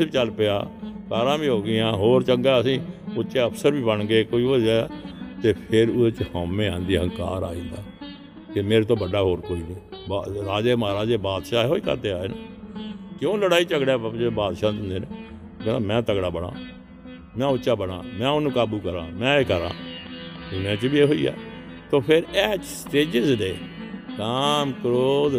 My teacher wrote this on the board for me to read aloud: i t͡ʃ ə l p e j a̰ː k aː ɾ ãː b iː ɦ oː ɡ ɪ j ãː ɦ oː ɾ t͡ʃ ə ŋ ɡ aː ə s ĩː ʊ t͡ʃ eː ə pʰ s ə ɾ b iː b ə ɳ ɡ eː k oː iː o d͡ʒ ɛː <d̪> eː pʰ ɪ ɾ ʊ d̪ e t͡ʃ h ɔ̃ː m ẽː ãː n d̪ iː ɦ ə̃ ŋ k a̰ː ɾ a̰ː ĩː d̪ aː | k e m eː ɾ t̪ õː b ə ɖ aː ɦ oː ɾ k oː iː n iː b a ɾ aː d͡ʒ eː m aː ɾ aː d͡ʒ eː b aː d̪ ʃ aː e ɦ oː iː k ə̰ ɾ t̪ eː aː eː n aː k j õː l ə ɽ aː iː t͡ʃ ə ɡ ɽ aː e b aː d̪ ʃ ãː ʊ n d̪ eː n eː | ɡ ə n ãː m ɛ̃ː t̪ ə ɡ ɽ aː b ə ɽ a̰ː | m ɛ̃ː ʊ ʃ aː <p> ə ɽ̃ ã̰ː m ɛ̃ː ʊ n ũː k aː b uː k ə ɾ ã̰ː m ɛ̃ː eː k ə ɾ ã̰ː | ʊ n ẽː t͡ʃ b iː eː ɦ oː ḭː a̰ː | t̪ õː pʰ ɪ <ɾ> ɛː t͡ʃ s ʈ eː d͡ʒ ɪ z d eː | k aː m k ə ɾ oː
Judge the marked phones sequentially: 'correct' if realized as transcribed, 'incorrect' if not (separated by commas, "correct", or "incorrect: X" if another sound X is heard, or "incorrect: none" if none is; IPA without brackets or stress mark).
incorrect: t̪, incorrect: b, correct